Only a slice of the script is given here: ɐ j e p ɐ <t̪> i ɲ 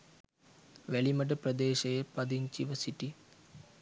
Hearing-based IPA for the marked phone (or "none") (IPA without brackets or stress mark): d̪